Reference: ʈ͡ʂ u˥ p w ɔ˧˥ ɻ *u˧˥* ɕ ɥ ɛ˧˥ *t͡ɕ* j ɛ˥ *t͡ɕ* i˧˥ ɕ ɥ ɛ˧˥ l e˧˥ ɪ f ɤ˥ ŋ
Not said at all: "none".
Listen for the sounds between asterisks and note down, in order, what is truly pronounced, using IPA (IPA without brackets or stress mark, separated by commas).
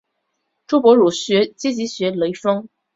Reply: u˨˩, t͡ɕ, t͡ɕ